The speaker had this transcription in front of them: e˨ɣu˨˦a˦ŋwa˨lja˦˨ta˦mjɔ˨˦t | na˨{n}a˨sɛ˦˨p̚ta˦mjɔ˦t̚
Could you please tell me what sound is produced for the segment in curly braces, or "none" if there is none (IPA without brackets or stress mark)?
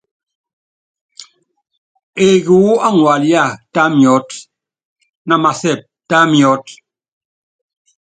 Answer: m